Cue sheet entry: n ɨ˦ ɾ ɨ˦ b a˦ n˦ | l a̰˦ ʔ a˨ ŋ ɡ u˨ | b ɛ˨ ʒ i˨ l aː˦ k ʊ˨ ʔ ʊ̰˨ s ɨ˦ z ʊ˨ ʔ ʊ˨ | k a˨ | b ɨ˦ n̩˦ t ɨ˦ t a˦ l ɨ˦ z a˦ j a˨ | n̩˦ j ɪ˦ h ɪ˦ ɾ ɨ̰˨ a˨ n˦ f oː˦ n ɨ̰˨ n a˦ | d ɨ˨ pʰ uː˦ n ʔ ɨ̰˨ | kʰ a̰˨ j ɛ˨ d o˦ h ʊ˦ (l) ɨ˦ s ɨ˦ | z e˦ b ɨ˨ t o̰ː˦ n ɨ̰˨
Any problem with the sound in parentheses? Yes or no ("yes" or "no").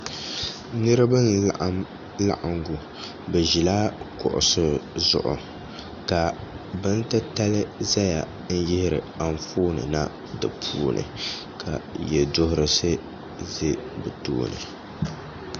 yes